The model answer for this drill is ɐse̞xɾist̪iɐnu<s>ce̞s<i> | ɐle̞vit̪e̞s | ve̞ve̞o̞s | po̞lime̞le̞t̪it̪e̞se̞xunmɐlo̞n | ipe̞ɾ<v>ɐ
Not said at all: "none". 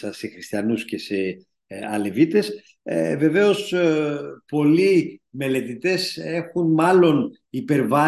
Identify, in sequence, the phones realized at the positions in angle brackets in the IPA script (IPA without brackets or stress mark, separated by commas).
s, e, v